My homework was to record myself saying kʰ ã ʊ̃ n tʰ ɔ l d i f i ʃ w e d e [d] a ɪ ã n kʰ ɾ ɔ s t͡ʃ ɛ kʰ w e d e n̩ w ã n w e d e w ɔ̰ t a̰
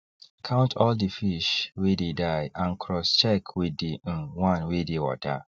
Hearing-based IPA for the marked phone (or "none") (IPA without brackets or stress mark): d